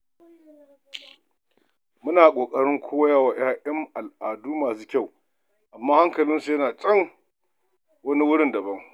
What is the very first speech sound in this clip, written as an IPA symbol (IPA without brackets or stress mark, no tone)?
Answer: m